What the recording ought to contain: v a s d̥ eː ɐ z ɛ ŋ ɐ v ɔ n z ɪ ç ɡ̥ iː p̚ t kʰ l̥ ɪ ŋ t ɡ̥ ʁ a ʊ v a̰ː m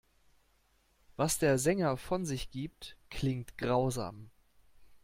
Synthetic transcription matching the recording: v a s d̥ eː ɐ z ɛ ŋ ɐ f ɔ n z ɪ ç ɡ̥ iː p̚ t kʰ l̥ ɪ ŋ t ɡ̥ ʁ a ʊ z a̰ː m